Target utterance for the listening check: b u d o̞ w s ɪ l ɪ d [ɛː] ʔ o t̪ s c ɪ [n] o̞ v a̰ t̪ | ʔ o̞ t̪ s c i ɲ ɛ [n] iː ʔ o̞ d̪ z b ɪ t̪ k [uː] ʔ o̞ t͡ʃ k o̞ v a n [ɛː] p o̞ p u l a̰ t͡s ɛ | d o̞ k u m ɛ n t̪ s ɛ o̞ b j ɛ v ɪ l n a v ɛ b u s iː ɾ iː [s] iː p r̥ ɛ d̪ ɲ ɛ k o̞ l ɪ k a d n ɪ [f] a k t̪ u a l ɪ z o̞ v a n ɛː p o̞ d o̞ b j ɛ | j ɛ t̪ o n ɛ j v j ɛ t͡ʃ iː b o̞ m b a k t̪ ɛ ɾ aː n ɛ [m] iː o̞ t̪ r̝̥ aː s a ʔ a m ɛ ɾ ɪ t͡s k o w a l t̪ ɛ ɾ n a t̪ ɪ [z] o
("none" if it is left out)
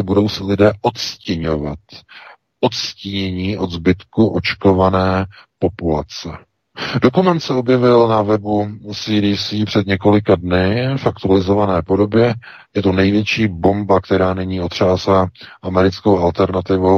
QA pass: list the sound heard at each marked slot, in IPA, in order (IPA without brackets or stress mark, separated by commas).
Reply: ɛː, ɲ, ɲ, u, ɛː, s, f, ɲ, v